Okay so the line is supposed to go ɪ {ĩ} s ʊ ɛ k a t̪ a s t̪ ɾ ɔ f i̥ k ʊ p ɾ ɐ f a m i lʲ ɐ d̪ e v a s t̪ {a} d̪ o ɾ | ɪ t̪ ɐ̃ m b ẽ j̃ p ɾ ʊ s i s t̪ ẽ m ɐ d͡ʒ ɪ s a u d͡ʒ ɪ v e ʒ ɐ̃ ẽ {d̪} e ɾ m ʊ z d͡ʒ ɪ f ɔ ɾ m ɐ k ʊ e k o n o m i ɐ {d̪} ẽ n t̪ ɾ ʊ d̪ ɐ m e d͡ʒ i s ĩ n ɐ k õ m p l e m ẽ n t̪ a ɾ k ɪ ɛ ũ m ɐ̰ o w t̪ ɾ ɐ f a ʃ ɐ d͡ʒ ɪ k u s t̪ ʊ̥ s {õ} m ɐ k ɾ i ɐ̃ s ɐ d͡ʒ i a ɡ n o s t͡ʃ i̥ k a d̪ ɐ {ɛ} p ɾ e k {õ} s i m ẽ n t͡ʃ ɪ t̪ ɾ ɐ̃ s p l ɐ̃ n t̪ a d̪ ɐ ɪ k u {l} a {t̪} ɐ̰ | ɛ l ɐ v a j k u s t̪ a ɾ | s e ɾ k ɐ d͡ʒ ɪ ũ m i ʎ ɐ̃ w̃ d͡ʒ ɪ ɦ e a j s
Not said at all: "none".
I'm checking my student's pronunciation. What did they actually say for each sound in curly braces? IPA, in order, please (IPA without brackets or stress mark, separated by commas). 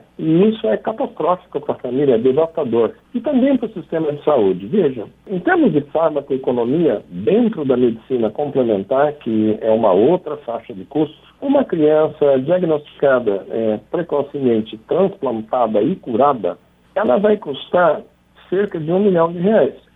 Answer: i, a, t̪, d̪, ũ, ɛ, o, ɾ, d̪